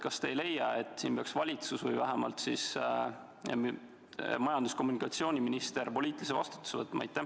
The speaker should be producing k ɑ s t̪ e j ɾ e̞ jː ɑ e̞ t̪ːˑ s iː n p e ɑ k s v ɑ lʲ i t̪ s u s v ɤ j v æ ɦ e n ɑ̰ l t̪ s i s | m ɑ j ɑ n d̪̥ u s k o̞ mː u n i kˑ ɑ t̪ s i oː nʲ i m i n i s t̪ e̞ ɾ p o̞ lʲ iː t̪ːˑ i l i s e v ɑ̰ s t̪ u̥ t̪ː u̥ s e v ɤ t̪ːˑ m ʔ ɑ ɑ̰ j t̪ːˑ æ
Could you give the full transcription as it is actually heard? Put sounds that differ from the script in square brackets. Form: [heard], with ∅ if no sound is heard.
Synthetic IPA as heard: k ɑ s t̪ e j [l] e̞ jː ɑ e̞ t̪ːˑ s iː n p e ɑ k s v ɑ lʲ i t̪ s u s v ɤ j v æ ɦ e [m] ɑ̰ l t̪ s i s | m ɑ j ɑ n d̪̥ u s k o̞ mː u n i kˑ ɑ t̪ s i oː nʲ i m i n i s t̪ e̞ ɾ p o̞ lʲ iː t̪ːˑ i l i s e v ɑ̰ s t̪ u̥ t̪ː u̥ s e v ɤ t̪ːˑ m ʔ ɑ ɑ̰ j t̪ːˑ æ